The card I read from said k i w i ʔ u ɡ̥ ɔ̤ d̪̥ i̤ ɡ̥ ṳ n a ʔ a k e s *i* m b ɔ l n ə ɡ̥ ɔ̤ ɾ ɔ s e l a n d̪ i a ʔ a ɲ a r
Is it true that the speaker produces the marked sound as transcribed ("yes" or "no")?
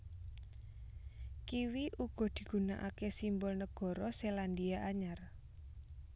yes